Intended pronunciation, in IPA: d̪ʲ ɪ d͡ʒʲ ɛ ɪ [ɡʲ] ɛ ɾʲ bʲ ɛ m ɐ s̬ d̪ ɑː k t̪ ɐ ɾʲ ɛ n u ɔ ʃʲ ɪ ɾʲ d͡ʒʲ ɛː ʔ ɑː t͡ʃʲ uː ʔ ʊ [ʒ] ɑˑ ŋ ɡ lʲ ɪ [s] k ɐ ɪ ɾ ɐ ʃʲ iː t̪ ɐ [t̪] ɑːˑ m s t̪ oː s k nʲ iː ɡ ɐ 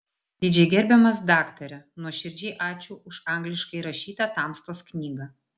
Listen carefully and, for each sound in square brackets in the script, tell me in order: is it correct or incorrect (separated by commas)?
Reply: correct, incorrect, incorrect, correct